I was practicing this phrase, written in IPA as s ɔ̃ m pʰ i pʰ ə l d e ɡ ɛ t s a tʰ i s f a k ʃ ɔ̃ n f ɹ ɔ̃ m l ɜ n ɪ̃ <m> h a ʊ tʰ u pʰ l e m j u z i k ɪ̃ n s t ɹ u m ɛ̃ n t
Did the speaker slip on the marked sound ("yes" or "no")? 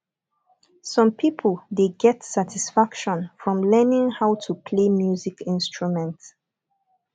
yes